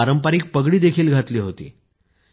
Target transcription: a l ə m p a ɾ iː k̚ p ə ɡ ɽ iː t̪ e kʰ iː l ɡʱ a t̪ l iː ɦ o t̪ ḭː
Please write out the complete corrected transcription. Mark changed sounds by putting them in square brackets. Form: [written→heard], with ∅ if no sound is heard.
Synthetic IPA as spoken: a [l→ɾ] ə m p a ɾ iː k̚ p ə ɡ ɽ iː [t̪→d̪] e kʰ iː l ɡʱ a t̪ l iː ɦ o t̪ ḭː